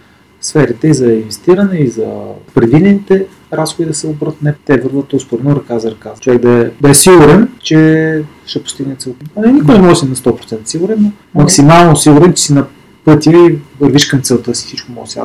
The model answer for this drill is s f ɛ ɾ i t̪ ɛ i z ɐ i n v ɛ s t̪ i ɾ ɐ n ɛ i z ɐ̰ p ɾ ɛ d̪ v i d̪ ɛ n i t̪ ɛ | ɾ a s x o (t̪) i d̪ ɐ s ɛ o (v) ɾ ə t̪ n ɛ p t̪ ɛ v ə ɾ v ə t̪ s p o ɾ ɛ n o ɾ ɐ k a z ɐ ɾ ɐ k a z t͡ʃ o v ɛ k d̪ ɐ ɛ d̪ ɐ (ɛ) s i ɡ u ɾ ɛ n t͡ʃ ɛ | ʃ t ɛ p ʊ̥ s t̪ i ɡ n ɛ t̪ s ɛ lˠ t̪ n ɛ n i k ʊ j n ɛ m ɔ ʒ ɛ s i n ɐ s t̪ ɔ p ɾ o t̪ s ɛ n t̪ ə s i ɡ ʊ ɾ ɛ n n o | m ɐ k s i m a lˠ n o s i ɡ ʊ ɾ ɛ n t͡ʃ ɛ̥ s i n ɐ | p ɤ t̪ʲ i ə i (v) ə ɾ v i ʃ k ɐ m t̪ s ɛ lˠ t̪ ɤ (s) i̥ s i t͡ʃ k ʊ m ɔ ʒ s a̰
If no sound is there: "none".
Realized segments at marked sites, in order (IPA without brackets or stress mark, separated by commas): d̪, b, ɛ, v, s